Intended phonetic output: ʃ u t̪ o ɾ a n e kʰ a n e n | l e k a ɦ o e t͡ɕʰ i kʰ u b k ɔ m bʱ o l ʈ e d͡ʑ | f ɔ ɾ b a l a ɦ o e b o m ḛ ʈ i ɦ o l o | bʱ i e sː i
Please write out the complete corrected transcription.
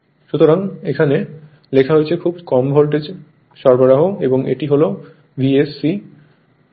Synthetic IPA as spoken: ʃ u t̪ o ɾ a ŋ e kʰ a n e | l e kʰ a ɦ o e t͡ɕʰ e kʰ u b k ɔ m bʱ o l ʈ e d͡ʑ | ʃ ɔ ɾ b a ɾ a ɦ o e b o ŋ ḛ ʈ i ɦ o l o | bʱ i e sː i